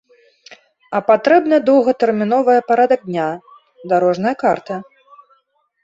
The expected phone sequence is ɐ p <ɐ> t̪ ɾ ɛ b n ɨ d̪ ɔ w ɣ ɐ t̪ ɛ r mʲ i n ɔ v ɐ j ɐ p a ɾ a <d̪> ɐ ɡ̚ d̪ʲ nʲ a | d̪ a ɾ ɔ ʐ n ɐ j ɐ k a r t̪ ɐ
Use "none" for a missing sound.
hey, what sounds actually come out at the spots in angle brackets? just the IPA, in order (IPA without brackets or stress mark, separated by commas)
a, d̪